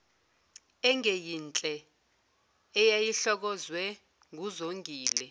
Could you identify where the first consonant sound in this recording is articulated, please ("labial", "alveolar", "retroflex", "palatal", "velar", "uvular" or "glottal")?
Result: velar